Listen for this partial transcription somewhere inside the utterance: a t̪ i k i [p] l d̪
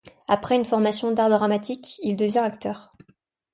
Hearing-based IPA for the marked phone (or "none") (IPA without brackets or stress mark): none